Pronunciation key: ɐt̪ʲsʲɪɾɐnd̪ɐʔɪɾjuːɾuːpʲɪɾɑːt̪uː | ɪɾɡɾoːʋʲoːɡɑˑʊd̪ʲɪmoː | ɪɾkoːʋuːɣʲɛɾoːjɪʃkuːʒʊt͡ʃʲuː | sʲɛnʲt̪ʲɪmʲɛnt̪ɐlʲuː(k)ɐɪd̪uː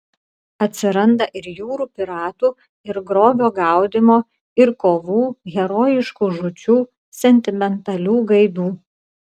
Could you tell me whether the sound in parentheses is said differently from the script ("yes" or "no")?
yes